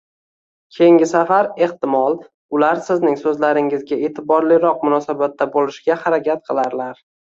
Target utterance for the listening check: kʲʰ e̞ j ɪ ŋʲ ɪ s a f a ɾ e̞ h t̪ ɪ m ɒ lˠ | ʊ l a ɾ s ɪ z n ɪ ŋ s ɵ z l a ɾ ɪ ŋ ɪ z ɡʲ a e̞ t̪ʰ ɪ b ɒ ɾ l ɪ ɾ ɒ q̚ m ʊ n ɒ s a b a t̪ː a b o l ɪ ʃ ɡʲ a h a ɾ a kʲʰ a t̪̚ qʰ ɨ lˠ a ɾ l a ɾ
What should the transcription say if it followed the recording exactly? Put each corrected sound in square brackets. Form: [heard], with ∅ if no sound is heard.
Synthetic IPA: kʲʰ e̞ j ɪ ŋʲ ɪ s a f a ɾ e̞ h t̪ ɪ m ɒ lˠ | ʊ l a ɾ s ɪ z n ɪ ŋ s ɵ z l a ɾ ɪ ŋ ɪ z ɡʲ a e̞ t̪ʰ ɪ b ɒ ɾ l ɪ ɾ ɒ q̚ m ʊ n ɒ s a b a t̪ː a b o l ɪ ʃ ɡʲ a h a ɾ a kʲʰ a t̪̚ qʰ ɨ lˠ a ɾ l a ɾ